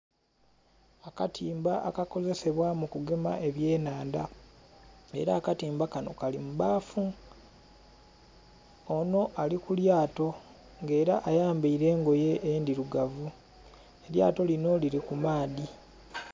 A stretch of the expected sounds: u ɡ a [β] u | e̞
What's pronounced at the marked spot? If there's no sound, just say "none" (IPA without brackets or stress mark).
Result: v